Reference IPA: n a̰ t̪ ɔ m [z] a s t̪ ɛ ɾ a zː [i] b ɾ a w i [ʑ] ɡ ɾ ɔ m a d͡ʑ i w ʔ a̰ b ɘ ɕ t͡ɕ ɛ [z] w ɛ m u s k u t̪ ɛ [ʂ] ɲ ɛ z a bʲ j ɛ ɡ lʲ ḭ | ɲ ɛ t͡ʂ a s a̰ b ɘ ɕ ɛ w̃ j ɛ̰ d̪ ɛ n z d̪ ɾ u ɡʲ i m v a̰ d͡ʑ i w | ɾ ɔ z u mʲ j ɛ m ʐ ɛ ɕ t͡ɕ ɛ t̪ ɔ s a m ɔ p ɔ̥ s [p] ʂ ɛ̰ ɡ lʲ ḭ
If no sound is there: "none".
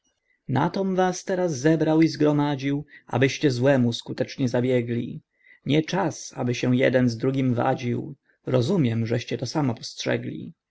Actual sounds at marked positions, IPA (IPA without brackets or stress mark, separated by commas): v, ɛ, z, z, t͡ʂ, t